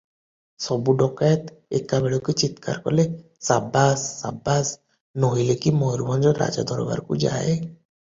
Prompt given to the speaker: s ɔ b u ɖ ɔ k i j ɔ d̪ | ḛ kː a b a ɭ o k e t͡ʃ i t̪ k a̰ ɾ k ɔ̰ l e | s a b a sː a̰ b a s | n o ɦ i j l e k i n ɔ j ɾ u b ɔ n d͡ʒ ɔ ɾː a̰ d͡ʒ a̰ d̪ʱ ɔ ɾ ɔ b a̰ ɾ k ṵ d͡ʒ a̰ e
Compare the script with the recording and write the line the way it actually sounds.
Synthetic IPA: s ɔ b u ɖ ɔ k a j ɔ t̪ | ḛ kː a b e ɭ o k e t͡ʃ i t̪ k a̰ ɾ k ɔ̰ l e | s a b a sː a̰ b a s | n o ɦ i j l e k i m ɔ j ɾ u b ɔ n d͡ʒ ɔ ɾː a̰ d͡ʒ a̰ d̪ʱ ɔ ɾ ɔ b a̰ ɾ k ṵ d͡ʒ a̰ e